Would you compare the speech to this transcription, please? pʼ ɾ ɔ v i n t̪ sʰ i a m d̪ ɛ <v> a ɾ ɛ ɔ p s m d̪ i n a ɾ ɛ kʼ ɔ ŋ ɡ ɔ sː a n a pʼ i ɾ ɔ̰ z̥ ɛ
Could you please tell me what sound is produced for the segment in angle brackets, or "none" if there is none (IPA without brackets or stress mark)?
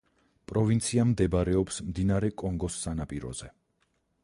b